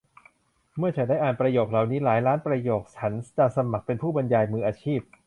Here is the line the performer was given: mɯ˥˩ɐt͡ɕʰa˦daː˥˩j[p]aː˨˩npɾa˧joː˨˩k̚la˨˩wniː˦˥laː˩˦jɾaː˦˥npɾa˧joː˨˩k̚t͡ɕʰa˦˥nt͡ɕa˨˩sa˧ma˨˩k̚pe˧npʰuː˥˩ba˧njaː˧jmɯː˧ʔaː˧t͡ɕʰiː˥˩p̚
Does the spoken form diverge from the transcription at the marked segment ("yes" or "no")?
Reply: yes